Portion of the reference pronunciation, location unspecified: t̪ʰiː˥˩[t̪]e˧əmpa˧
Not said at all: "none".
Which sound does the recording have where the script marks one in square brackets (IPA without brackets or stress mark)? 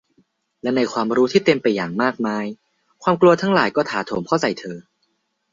t̪